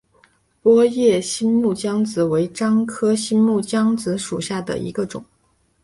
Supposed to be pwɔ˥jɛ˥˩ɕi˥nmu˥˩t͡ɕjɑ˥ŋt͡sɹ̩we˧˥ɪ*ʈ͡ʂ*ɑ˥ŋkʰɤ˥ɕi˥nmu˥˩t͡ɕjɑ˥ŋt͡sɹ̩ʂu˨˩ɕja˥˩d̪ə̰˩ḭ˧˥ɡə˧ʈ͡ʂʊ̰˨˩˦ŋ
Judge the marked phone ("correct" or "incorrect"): correct